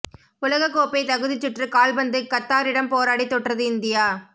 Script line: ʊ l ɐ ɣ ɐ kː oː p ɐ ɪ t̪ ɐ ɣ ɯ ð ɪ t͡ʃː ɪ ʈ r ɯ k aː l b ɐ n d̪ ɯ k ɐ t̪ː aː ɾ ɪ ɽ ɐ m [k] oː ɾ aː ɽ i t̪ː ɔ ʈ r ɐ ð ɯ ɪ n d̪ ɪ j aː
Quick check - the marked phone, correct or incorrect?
incorrect